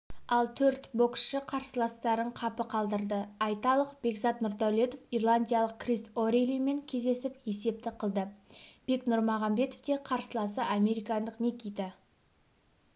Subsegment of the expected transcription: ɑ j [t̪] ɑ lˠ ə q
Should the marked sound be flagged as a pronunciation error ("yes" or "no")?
no